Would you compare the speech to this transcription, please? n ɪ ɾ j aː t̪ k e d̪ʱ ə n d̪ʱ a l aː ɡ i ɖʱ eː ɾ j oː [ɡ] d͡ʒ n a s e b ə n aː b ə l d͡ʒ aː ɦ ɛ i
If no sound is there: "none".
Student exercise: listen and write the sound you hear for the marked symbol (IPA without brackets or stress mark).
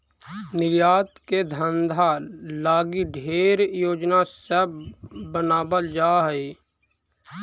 none